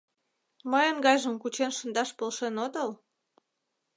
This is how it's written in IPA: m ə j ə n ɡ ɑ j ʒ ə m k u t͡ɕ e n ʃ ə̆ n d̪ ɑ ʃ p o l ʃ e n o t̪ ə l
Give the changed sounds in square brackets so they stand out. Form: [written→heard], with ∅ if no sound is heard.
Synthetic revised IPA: m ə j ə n ɡ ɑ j ʒ ə m k u t͡ɕ e n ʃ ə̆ n d̪ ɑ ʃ p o l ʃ e n o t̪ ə l